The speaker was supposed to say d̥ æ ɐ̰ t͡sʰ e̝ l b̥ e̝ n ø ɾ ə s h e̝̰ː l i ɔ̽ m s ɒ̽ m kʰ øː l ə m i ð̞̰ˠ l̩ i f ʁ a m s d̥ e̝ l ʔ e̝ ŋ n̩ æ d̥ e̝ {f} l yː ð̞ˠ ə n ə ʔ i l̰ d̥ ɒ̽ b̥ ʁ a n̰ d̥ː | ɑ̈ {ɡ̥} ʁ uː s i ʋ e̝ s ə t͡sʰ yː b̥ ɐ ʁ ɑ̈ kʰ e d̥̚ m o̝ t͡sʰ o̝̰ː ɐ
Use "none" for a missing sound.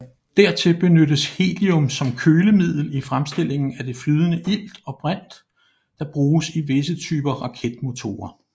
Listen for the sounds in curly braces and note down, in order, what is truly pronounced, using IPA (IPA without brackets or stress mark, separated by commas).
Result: f, b̥